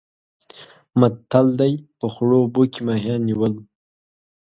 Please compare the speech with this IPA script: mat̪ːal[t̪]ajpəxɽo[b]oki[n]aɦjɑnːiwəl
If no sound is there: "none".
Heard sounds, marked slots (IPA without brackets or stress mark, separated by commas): d̪, b, m